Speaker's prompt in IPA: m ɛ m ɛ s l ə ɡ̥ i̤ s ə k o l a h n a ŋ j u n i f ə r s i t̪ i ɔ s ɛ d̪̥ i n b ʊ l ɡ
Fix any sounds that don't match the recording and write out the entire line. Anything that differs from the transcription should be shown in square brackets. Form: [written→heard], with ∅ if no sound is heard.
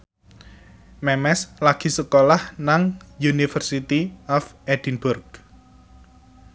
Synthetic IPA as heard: m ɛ m ɛ s l [ə→a] ɡ̥ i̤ s ə k o l a h n a ŋ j u n i f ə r s i t̪ i ɔ [s→f] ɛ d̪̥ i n b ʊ [l→r] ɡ